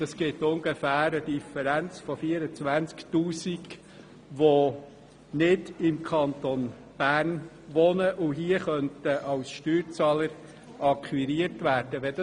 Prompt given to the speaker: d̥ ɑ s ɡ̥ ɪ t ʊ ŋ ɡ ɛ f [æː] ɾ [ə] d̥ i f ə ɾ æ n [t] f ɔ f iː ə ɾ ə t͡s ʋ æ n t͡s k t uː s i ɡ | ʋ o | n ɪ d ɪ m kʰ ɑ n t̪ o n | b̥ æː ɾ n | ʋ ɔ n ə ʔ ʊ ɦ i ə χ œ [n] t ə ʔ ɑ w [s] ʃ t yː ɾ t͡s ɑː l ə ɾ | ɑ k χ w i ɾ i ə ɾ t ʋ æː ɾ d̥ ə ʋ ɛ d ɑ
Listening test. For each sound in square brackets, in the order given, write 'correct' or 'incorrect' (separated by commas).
correct, correct, incorrect, correct, correct